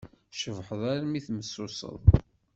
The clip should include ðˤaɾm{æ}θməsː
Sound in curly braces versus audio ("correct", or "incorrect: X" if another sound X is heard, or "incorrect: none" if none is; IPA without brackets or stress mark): incorrect: i